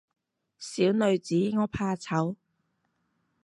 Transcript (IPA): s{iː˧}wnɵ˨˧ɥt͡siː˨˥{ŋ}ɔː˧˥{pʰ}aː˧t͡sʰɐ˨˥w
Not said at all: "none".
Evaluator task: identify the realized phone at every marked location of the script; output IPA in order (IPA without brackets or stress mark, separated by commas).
iː˨˥, ŋ, pʰ